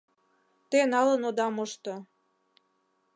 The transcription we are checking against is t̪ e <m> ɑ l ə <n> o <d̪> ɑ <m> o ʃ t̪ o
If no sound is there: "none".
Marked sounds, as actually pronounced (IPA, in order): n, n, d̪, m

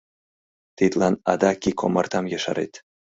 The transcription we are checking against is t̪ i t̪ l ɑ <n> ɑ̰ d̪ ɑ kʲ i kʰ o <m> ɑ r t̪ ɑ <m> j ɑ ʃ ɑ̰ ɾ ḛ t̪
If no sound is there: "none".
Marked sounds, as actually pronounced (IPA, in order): n, m, m

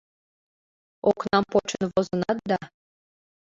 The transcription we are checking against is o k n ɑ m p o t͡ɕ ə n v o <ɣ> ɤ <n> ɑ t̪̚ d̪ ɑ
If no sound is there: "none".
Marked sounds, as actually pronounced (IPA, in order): z, n

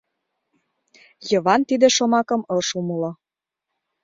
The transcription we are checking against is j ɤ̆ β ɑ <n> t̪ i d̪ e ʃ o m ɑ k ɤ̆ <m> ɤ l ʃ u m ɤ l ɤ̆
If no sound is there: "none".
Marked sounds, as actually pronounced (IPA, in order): n, m

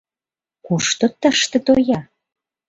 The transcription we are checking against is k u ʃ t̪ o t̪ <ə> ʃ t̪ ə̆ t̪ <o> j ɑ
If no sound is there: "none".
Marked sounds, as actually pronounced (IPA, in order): ə, o

